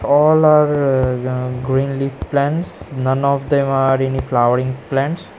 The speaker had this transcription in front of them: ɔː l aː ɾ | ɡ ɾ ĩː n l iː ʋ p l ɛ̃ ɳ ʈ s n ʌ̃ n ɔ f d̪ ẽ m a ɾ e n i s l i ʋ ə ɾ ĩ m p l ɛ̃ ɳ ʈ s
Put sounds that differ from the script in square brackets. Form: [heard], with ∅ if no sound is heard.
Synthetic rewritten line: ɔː l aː ɾ | ɡ ɾ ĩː n l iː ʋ p l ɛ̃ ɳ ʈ s n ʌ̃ n ɔ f d̪ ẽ m a ɾ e n i [f] l [a] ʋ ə ɾ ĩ [ŋ] p l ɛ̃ ɳ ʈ s